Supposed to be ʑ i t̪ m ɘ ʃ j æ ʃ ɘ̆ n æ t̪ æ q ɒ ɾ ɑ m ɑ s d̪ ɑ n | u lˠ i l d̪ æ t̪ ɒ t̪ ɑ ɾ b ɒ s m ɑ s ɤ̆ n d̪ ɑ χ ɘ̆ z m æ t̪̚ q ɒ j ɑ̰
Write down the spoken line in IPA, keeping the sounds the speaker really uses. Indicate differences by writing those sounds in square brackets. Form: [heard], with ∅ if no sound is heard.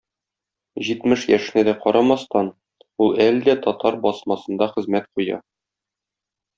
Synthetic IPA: ʑ i t̪ m ɘ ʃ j æ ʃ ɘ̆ n æ [d̪] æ q ɒ ɾ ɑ m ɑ s [t̪] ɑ n | u lˠ [æ] l d̪ æ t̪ ɒ t̪ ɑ ɾ b ɒ s m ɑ s ɤ̆ n d̪ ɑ χ ɘ̆ z m æ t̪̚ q [u] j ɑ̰